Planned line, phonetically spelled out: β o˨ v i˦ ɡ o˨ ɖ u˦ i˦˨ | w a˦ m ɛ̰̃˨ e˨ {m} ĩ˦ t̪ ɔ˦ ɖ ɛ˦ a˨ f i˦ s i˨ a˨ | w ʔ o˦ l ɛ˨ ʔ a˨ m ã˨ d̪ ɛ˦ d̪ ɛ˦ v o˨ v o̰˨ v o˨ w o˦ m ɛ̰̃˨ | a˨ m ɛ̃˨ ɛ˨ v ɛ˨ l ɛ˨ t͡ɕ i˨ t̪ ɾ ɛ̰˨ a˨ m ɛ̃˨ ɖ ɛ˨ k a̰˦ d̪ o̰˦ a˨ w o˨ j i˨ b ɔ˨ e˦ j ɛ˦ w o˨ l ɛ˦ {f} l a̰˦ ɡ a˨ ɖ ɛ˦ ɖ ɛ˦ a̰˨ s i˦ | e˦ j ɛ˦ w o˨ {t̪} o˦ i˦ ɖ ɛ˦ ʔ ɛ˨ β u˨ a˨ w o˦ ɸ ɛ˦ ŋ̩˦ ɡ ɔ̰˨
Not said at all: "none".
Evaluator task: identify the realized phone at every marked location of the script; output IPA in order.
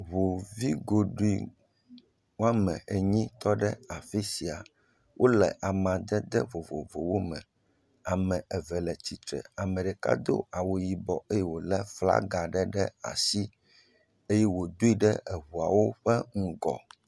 ɲ, f, d̪

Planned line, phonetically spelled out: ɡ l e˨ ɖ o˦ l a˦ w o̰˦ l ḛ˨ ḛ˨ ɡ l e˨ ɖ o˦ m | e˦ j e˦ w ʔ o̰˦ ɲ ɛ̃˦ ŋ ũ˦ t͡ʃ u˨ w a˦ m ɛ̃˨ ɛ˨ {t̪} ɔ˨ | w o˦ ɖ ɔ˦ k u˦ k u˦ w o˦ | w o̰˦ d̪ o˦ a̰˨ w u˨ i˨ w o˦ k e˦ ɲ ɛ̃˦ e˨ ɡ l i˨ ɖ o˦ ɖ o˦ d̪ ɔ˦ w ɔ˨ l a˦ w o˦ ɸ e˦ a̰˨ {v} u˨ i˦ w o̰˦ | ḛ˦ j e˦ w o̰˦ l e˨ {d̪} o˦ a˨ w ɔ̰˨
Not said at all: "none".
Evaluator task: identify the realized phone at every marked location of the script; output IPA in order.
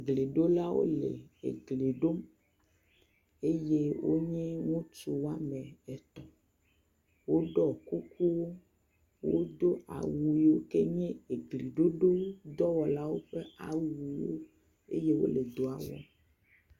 t̪, w, d̪

